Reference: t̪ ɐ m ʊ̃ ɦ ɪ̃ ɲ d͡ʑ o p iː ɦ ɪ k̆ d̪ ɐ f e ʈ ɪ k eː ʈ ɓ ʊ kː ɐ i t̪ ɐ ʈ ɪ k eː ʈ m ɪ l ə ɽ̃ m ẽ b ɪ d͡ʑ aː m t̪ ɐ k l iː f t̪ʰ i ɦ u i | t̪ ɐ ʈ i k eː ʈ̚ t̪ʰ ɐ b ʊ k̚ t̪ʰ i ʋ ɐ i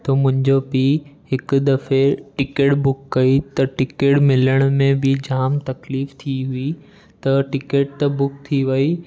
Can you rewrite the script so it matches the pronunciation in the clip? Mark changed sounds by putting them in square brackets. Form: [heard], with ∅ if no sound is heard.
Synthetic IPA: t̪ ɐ m ʊ̃ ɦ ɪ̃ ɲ d͡ʑ o p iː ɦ ɪ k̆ d̪ ɐ f e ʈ ɪ k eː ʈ [b] ʊ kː ɐ i t̪ ɐ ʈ ɪ k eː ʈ m ɪ l ə ɽ̃ m ẽ b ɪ d͡ʑ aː m t̪ ɐ k l iː f t̪ʰ i ɦ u i | t̪ ɐ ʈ [ɪ] k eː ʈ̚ [t̪] ɐ b ʊ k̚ t̪ʰ i ʋ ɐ i